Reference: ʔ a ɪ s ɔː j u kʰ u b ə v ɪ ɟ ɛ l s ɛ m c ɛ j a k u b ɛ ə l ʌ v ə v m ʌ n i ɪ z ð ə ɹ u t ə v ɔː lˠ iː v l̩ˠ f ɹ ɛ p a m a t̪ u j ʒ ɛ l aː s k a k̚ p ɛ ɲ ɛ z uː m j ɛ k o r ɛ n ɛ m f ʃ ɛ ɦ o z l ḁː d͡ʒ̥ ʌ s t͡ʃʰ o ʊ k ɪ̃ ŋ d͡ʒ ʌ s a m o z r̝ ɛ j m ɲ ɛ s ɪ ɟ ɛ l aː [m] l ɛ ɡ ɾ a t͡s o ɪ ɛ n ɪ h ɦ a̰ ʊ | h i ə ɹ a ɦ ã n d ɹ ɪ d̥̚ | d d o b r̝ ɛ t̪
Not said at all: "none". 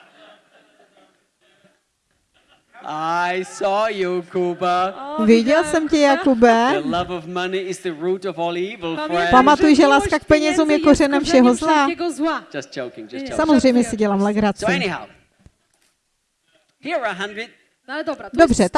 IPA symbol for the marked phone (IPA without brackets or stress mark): m